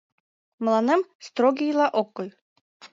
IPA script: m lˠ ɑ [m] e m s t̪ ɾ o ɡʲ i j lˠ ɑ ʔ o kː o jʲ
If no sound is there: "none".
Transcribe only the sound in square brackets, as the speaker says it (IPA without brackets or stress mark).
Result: n